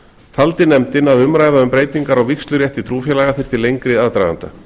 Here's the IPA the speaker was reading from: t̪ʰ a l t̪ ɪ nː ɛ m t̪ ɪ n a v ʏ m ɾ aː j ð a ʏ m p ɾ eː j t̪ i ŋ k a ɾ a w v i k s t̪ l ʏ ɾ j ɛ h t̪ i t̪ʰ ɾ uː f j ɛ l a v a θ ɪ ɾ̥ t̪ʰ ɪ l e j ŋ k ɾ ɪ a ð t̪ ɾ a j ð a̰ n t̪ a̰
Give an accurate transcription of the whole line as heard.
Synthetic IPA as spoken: t̪ʰ a l t̪ ɪ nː ɛ m t̪ ɪ n a ð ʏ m ɾ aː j ð a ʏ m p ɾ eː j t̪ i ŋ k a ɾ a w v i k s t̪ l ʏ ɾ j ɛ h t̪ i t̪ʰ ɾ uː f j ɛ l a ɣ a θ ɪ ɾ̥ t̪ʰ ɪ l e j ŋ k ɾ ɪ a ð t̪ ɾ a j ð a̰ n t̪ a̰

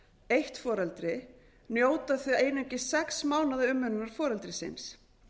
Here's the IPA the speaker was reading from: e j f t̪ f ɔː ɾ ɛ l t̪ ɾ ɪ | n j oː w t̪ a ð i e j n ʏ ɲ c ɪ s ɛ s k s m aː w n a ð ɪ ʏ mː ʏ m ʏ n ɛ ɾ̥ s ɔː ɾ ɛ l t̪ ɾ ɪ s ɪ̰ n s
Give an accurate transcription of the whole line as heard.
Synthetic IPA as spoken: e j h t̪ f ɔː ɾ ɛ l t̪ ɾ ɪ | n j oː w t̪ a θ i e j n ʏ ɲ c ɪ s ɛ k s m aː w n a ð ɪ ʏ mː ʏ n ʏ n a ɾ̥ f ɔː ɾ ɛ l t̪ ɾ ɪ s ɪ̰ n s

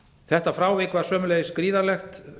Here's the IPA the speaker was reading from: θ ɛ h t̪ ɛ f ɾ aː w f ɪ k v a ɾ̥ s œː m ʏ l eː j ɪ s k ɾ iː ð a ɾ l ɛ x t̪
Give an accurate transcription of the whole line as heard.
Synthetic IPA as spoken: θ ɛ h t̪ a f ɾ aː w v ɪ k v a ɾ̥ s œː m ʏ l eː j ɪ s k ɾ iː ð a ɾ l ɛ x t̪

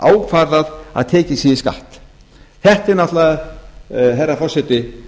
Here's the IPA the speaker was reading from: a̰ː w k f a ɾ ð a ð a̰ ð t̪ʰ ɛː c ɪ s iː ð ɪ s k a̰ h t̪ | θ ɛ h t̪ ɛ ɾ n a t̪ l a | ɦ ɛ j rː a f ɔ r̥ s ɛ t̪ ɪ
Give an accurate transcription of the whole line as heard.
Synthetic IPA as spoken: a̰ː w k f a ɾ ð a ð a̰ ð t̪ʰ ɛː c ɪ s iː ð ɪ s k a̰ h t̪ | θ ɛ h t̪ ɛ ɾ n a t̪ l a | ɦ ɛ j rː a f ɔ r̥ s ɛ t̪ ɪ

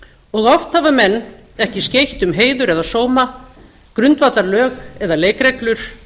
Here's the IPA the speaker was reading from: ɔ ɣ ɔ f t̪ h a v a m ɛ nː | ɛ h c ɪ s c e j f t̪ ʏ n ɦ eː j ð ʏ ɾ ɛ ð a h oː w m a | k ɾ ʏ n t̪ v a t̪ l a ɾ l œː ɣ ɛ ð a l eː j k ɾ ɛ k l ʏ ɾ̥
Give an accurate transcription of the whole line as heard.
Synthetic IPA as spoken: ɔ ɣ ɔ f t̪ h a v a m ɛ nː | ɛ h c ɪ s c e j h t̪ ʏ m ɦ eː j ð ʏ ɾ ɛ ð a s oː w m a | k ɾ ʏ n t̪ v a t̪ l a ɾ l œː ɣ ɛ ð a l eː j k ɾ ɛ k l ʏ ɾ̥

